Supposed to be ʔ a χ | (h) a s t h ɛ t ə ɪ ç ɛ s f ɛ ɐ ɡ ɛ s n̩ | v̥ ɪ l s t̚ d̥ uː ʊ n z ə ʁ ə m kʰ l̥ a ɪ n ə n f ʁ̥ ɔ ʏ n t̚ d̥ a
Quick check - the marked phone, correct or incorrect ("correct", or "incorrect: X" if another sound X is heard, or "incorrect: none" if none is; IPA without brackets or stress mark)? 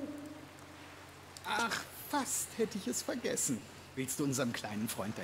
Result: incorrect: f